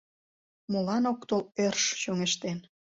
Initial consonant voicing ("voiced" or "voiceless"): voiced